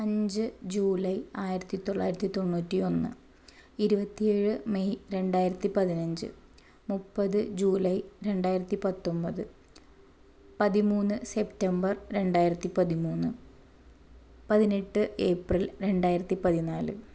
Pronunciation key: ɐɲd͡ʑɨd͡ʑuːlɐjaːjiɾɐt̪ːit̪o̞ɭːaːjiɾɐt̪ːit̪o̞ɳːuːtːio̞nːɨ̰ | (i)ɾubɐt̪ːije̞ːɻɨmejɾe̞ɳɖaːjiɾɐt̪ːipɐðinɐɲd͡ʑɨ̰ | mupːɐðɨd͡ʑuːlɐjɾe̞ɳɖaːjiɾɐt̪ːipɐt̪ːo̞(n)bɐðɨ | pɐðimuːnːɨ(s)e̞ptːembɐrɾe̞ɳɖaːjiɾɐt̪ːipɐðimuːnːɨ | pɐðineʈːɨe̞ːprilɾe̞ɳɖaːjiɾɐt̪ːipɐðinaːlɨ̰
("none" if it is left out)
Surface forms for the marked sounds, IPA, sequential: i, m, s

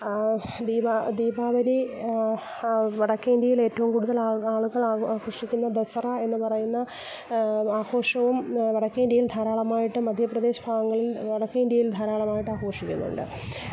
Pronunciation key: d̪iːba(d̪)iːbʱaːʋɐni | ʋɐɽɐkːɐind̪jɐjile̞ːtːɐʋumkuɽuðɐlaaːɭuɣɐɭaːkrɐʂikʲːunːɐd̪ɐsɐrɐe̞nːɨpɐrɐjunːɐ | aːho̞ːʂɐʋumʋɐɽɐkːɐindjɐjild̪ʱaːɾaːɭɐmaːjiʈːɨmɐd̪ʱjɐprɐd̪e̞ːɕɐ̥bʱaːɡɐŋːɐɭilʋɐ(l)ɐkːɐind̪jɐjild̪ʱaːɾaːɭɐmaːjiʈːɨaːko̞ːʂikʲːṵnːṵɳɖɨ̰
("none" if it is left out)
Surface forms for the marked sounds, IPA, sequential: d̪, ɽ

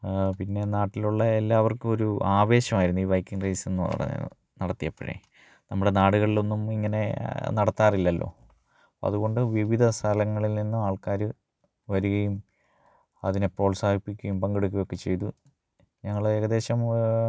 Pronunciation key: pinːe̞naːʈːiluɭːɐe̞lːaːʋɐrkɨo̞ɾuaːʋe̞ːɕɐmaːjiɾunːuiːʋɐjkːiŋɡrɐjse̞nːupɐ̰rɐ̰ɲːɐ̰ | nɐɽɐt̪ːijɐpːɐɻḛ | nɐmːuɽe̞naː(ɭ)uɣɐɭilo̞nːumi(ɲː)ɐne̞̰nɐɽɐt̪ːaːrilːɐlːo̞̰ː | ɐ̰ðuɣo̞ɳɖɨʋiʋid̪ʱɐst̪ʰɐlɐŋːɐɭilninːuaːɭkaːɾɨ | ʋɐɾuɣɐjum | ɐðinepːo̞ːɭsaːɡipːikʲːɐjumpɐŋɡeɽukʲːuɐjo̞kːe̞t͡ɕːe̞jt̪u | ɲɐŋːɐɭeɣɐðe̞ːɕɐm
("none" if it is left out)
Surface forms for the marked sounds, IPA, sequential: ɽ, ŋː

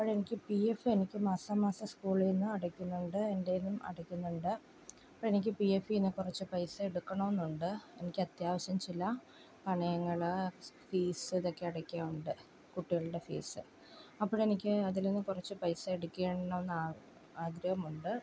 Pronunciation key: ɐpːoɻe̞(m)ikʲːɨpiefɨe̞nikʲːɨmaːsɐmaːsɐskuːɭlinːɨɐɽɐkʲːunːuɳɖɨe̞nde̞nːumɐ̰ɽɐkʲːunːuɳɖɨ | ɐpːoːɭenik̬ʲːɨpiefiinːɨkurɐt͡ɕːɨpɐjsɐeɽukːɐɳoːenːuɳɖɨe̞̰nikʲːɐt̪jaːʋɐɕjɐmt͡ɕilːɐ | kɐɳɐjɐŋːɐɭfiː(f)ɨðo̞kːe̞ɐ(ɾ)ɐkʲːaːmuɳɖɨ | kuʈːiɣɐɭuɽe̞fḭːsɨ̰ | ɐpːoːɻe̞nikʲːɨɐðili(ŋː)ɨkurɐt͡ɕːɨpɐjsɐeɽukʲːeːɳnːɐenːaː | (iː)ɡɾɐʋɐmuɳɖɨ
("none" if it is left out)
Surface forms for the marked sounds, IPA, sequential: n, s, ɽ, nː, aː

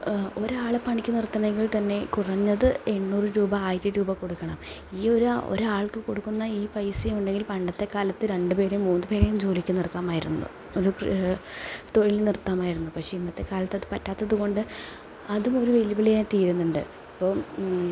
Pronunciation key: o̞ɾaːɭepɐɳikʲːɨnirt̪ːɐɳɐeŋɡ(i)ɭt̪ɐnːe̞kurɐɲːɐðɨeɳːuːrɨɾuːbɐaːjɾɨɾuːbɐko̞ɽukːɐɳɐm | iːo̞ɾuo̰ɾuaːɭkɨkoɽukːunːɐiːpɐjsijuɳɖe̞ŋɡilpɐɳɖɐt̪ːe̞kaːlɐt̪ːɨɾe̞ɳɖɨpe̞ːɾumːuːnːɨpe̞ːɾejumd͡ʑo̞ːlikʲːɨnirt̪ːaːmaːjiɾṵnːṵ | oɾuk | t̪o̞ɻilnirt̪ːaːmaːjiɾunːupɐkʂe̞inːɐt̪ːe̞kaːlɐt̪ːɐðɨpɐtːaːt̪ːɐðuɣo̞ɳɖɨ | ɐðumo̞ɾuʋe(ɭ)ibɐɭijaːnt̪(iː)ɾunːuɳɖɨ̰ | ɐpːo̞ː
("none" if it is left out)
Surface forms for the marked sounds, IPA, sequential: i, l, iː

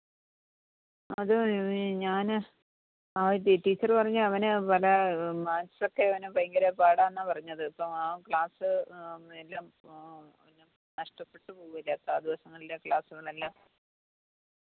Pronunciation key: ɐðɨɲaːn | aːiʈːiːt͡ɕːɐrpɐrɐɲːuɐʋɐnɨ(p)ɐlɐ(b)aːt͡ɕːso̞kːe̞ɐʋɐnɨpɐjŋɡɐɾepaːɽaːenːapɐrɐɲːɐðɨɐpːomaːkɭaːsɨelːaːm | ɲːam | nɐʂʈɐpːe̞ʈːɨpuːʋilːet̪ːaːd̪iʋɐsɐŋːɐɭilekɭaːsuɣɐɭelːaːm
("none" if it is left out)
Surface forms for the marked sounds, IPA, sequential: p, m

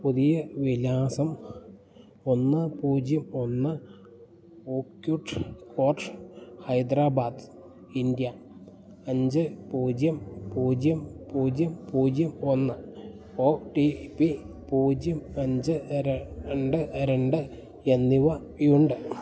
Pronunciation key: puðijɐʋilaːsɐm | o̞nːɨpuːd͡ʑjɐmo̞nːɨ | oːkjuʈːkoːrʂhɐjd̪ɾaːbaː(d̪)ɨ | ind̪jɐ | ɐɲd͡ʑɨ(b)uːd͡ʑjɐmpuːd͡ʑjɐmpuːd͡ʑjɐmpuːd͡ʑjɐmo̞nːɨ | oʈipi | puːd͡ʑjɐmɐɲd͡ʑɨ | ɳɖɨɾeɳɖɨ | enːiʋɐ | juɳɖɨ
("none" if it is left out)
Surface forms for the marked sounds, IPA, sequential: d̪, p

